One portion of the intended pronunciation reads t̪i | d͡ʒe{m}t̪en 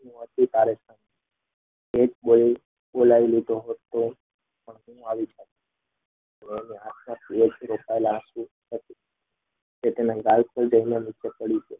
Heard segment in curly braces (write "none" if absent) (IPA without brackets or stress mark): none